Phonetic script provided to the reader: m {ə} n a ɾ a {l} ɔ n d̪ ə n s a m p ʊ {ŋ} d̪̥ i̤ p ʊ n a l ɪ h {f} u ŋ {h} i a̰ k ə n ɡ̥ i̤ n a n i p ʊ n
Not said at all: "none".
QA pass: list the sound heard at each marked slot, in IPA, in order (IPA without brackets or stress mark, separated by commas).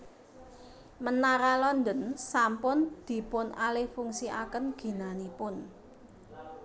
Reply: ə, l, n, f, s